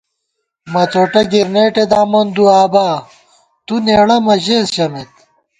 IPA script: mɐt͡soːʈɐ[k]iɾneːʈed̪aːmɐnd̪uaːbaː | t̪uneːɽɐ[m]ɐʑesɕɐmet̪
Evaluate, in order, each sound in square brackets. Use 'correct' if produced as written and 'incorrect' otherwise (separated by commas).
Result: incorrect, correct